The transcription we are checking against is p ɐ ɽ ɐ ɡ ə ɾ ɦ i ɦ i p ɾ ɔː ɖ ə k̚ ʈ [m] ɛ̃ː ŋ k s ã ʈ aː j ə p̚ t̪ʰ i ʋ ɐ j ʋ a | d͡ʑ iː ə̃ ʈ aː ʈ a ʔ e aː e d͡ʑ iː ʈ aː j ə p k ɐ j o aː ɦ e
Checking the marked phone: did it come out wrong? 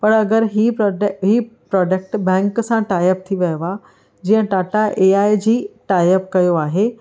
yes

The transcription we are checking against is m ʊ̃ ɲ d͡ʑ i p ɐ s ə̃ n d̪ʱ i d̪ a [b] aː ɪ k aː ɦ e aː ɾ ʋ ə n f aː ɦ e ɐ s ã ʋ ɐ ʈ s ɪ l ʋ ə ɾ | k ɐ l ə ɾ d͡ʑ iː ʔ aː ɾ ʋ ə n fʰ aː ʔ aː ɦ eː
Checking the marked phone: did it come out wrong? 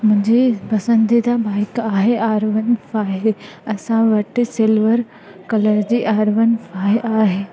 no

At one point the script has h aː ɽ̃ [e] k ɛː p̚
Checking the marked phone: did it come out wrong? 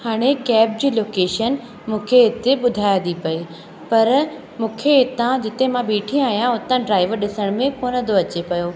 no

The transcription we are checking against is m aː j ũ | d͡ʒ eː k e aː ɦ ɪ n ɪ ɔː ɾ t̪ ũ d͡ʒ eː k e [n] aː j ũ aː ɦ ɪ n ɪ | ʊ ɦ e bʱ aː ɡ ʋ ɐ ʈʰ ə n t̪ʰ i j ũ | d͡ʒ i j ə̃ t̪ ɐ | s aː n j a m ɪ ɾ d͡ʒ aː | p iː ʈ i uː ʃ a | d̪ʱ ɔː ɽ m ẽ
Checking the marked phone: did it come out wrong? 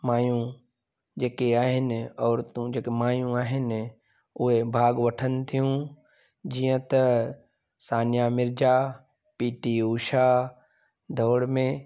yes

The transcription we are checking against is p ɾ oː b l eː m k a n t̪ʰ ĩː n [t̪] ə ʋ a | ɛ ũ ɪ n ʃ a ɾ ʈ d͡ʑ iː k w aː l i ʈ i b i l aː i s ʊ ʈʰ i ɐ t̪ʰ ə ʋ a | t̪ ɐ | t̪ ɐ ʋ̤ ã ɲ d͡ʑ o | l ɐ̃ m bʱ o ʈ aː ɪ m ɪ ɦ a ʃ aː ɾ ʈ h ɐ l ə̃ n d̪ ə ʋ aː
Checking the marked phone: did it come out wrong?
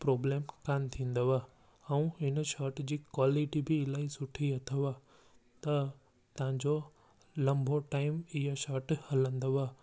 yes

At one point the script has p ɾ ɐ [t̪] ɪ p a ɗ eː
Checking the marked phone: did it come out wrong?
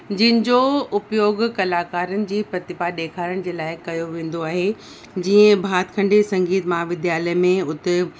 no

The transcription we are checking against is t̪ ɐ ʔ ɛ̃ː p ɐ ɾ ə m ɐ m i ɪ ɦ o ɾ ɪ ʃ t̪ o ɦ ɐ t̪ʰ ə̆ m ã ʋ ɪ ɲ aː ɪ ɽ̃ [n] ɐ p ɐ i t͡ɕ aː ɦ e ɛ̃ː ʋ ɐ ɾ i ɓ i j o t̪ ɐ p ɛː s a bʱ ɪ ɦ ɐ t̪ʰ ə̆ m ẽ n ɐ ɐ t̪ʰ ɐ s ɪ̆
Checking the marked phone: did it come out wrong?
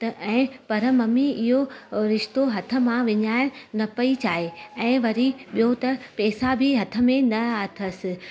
no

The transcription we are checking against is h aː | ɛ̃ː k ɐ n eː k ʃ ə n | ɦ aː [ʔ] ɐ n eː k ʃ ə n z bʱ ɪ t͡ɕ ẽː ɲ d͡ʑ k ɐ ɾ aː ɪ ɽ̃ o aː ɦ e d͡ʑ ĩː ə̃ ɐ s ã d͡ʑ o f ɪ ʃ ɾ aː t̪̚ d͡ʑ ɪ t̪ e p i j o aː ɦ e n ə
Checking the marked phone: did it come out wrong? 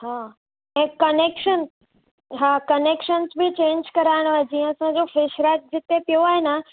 yes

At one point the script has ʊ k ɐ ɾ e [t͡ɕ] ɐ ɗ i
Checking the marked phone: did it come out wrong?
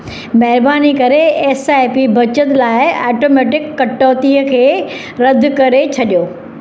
yes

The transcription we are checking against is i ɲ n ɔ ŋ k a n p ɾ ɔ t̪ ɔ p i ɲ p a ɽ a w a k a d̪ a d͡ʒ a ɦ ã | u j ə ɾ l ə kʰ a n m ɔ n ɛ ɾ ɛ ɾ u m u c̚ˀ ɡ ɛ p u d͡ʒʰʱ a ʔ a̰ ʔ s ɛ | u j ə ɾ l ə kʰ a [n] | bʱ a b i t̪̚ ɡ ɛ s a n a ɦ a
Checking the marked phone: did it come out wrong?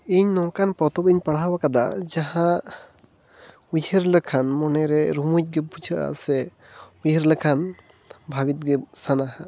no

